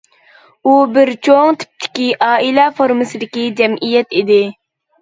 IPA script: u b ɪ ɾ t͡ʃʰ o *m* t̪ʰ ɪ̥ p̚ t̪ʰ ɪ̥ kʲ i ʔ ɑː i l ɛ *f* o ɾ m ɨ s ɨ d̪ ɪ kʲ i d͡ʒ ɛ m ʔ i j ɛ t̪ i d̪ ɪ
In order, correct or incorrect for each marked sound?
incorrect: ŋ, correct

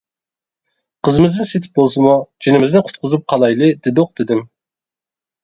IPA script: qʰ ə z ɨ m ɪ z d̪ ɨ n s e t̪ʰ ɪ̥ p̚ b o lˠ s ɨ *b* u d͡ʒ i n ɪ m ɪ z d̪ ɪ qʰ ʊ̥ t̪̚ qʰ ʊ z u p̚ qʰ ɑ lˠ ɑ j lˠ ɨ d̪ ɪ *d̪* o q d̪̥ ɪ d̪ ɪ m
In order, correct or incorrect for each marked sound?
incorrect: m, correct

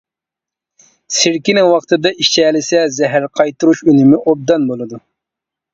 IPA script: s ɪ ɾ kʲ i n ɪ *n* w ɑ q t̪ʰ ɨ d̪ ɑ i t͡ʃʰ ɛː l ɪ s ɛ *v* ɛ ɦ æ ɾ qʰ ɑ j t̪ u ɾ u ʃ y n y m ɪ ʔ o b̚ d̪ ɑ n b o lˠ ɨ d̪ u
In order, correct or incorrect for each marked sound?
incorrect: ŋ, incorrect: z

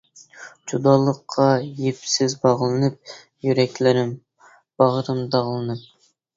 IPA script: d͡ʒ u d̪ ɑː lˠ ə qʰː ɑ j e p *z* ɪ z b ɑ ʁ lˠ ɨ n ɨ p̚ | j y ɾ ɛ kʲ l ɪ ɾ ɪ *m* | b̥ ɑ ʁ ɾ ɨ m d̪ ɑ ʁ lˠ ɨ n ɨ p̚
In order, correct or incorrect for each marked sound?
incorrect: s, correct

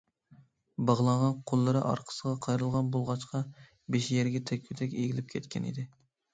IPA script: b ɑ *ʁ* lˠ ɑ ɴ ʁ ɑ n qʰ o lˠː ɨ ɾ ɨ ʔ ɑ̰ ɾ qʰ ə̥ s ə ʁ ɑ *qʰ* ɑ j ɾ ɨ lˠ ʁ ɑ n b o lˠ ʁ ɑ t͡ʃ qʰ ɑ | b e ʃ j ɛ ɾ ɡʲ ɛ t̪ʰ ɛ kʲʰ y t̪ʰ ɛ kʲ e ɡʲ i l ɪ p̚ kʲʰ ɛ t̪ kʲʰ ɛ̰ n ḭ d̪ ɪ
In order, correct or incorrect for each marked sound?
correct, correct

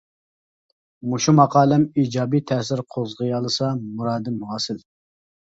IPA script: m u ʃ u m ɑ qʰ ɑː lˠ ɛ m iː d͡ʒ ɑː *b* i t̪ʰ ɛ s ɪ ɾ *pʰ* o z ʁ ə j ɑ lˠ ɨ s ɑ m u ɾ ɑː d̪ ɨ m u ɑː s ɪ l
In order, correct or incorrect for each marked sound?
correct, incorrect: qʰ

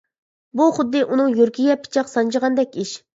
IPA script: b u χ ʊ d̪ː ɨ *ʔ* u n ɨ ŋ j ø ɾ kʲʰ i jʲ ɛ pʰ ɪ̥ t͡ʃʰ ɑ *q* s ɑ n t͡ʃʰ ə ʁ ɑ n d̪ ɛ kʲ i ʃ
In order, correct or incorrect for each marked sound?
correct, correct

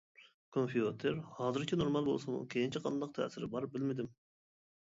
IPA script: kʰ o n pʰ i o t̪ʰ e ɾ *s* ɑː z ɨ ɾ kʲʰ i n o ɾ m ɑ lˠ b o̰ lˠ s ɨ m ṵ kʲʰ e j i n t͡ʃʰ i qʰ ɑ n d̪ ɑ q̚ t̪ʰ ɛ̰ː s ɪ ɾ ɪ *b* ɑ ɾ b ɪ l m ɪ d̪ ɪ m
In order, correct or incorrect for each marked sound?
incorrect: h, correct

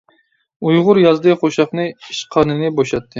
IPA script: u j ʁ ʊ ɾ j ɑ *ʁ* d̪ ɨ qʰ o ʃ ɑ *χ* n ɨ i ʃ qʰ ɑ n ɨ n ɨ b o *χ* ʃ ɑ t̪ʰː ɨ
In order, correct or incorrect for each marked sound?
incorrect: z, correct, incorrect: none

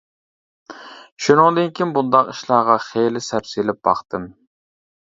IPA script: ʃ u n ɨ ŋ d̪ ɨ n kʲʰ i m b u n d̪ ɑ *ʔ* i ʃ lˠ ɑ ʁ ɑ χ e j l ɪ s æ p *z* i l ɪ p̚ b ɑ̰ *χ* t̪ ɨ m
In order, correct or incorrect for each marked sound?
incorrect: q, incorrect: s, correct

